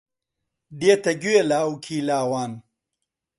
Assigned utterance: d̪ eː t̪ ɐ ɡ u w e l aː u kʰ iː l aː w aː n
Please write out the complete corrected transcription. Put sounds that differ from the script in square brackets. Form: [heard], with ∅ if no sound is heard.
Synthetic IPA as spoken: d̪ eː t̪ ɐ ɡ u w e l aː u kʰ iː l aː w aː n